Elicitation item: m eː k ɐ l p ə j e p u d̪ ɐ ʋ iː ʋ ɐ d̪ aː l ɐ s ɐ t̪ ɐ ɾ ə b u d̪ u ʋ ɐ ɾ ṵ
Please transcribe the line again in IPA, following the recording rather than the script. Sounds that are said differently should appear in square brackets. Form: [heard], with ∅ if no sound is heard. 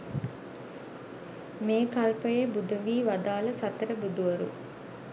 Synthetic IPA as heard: m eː k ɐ l p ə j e [b] u d̪ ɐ ʋ iː ʋ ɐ d̪ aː l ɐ s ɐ t̪ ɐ ɾ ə b u d̪ u ʋ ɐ ɾ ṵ